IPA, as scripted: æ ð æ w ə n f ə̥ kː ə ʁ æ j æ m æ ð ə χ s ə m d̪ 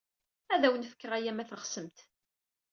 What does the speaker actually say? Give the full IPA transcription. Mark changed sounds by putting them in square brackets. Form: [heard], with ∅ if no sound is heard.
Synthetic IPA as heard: æ ð æ w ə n f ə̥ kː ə ʁ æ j æ m æ [θ] ə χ s ə m [t̪]